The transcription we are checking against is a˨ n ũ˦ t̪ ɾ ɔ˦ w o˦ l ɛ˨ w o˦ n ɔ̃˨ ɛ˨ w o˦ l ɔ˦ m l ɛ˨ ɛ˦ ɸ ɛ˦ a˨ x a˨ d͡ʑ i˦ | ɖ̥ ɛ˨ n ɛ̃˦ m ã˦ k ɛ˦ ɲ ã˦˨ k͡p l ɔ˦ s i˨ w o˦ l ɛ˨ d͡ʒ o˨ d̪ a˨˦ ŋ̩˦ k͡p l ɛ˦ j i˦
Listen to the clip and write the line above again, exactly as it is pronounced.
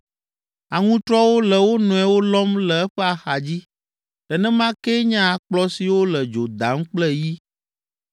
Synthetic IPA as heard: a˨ ŋ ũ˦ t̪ ɾ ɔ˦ w o˦ l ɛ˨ w o˦ n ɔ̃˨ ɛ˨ w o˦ l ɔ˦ m l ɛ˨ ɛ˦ ɸ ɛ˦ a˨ x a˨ d͡ʑ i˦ | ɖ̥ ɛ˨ n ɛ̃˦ m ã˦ k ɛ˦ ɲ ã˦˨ k͡p l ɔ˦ s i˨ w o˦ l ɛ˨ d͡ʒ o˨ d̪ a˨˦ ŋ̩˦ k͡p l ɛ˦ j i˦